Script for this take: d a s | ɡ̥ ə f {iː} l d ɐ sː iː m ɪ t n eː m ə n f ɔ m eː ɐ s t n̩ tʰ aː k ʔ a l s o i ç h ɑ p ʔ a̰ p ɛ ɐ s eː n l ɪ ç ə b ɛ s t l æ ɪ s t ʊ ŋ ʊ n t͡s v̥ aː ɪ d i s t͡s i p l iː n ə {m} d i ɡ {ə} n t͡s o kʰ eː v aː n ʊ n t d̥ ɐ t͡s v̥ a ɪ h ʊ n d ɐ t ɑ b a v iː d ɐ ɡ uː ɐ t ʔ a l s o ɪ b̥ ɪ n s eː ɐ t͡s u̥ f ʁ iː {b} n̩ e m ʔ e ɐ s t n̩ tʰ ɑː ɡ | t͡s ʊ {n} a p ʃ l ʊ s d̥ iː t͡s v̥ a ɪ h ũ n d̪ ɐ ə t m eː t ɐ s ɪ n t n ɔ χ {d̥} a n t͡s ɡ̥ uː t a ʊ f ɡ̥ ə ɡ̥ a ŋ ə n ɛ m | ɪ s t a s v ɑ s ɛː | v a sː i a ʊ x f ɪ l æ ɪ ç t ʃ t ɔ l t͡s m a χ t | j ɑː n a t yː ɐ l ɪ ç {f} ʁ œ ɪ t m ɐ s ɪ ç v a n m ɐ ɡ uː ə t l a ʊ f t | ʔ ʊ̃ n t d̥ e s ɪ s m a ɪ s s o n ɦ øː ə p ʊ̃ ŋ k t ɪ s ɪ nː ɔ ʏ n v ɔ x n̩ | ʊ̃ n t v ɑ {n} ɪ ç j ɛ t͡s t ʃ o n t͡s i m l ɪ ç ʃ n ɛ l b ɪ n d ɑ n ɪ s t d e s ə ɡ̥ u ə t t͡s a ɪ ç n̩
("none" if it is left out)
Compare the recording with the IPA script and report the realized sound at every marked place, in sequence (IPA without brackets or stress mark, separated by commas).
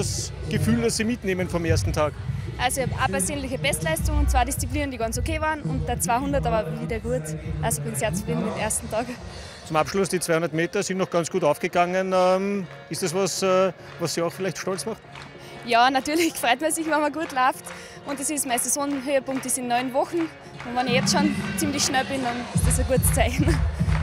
yː, n, ɑ, d, m, ɡ̥, f, n